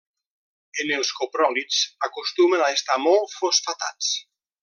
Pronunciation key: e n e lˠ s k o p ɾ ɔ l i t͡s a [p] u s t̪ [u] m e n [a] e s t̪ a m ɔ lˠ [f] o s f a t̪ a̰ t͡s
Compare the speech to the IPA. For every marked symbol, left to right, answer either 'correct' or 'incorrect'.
incorrect: k, correct, correct, correct

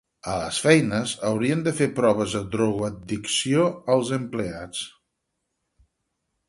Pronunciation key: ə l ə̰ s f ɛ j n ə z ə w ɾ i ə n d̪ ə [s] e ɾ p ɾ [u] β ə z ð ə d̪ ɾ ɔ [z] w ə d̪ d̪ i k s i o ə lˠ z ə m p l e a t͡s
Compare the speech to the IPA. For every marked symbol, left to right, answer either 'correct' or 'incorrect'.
incorrect: f, incorrect: ɔ, incorrect: ɣ

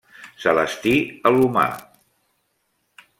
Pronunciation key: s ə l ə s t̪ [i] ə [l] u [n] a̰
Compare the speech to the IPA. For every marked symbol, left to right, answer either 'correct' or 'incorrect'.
correct, correct, incorrect: m

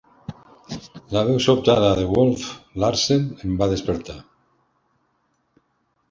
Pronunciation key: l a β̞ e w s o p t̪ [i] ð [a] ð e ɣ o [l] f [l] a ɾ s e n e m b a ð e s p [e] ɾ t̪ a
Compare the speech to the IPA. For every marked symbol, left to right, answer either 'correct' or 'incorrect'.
incorrect: a, correct, correct, correct, correct

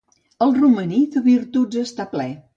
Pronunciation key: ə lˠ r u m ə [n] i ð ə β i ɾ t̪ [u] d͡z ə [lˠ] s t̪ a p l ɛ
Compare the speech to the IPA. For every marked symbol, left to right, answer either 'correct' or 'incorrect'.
correct, correct, incorrect: none

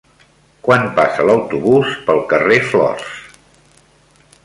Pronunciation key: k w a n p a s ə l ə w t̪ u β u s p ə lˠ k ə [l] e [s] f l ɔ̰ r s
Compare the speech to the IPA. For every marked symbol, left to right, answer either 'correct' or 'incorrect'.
incorrect: r, incorrect: none

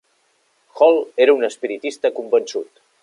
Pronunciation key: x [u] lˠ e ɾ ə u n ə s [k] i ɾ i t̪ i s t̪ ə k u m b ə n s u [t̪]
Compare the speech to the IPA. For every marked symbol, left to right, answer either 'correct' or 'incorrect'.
incorrect: ɔ, incorrect: p, correct

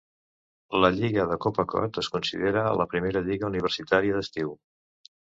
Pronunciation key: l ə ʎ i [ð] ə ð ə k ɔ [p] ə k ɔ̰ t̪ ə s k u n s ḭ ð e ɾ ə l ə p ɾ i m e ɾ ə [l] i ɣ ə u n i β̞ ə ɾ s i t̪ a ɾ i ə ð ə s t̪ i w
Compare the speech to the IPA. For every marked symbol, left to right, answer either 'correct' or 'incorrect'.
incorrect: ɣ, correct, incorrect: ʎ

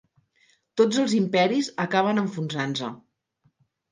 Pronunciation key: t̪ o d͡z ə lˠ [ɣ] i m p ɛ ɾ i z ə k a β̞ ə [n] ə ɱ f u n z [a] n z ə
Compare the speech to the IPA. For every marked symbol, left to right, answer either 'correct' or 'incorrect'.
incorrect: z, correct, correct

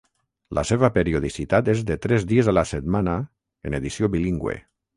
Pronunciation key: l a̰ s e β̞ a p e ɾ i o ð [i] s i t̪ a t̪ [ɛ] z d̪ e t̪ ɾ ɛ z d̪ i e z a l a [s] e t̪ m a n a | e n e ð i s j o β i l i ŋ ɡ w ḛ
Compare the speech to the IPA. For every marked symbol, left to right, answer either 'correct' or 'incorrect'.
correct, incorrect: e, correct

